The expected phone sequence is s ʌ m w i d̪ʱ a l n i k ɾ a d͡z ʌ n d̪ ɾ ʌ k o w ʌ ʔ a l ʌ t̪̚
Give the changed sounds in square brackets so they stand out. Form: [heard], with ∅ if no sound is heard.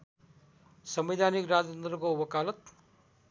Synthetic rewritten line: s ʌ m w i d̪ʱ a [∅] n i k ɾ a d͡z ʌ n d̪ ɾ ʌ k o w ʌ [k] a l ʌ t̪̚